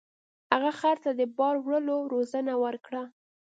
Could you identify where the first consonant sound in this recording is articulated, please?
glottal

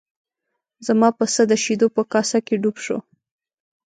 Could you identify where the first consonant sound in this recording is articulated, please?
alveolar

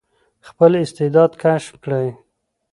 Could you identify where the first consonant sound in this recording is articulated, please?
velar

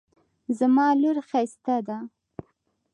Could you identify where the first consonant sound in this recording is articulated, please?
alveolar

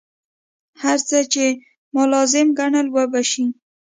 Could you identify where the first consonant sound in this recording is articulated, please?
glottal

